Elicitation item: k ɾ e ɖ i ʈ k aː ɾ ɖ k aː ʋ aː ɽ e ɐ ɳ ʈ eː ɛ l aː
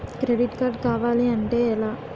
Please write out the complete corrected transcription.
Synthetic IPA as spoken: k ɾ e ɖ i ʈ k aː ɾ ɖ k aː ʋ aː l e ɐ ɳ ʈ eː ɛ l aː